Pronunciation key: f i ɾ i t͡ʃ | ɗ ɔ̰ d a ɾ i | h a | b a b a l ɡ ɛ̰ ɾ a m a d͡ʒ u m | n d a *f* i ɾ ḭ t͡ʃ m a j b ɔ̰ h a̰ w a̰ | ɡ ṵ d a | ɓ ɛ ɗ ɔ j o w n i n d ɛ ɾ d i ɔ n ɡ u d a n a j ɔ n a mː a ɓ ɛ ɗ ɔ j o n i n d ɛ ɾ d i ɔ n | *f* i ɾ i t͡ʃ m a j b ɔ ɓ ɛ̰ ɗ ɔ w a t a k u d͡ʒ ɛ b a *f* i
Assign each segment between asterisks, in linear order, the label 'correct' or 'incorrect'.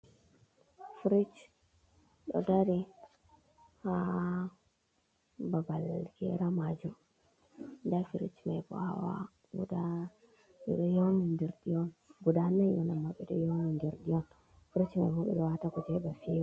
correct, correct, correct

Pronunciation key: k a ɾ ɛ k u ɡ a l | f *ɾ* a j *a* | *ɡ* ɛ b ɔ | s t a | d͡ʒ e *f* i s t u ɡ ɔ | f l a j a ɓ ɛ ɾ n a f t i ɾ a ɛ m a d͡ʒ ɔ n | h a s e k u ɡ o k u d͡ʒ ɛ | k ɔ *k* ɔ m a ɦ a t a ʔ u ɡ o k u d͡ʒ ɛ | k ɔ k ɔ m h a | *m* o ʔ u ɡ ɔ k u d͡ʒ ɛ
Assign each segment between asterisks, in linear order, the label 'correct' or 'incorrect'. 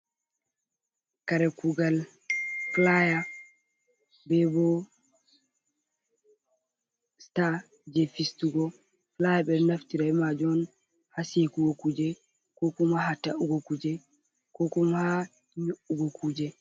incorrect, correct, incorrect, correct, correct, incorrect

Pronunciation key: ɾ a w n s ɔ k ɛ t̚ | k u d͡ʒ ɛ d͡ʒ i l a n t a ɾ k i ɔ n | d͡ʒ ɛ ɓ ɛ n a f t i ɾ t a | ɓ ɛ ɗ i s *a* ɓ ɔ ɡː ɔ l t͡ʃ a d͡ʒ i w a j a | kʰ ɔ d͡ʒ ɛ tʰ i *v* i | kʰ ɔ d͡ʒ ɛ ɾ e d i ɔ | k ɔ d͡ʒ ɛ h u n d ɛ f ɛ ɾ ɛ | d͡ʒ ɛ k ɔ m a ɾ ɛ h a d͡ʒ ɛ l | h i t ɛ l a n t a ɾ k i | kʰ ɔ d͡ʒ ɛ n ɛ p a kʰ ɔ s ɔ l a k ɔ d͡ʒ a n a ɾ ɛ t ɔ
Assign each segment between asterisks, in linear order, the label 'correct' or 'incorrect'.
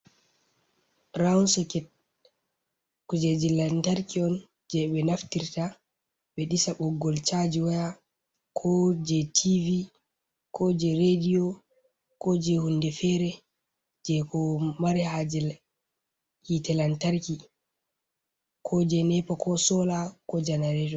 correct, correct

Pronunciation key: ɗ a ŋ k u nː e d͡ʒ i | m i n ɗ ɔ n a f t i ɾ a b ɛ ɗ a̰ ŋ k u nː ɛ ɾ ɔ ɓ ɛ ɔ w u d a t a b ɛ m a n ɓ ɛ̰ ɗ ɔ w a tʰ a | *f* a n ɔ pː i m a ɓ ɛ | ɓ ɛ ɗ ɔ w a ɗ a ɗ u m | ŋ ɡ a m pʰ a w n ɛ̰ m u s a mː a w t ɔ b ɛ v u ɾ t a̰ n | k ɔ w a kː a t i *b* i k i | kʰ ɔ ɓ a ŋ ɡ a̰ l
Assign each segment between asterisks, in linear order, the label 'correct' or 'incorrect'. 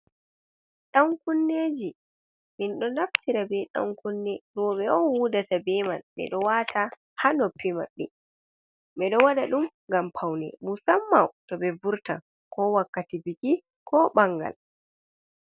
incorrect, correct

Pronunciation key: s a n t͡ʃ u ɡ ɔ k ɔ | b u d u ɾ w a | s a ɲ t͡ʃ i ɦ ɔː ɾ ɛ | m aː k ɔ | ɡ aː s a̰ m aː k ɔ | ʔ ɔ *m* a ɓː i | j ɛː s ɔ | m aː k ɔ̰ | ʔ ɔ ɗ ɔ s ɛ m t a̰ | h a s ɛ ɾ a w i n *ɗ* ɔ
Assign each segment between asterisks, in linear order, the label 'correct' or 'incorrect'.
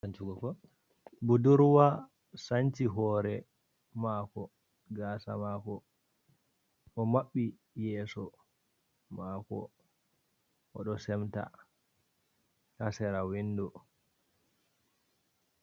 correct, incorrect

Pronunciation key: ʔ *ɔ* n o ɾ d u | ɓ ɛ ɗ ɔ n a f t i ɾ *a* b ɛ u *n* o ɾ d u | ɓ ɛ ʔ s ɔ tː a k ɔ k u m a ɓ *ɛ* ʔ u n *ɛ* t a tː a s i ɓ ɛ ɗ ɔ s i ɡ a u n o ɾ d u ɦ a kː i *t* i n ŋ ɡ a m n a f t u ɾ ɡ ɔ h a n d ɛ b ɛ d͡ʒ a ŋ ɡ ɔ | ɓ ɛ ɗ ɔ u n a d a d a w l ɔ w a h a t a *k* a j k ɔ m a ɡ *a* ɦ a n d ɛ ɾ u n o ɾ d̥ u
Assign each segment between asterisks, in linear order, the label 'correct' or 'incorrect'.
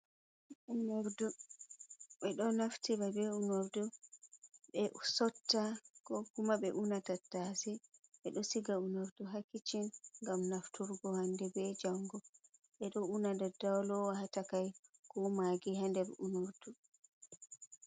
incorrect, correct, correct, correct, incorrect, incorrect, correct, incorrect

